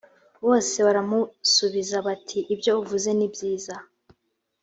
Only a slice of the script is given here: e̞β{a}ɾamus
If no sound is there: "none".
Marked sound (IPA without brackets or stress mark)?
a